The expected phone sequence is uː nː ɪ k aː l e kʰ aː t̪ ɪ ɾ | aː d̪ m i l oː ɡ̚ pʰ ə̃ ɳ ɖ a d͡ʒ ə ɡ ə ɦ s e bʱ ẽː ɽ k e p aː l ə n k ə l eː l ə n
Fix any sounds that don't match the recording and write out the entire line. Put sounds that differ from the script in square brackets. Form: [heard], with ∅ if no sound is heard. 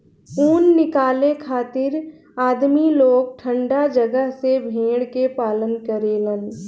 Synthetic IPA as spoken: uː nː ɪ k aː l e kʰ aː t̪ ɪ ɾ | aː d̪ m i l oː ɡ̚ [ʈʰ] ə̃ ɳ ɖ a d͡ʒ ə ɡ ə ɦ s e bʱ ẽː ɽ k e p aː l ə n k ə [ɾ] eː l ə n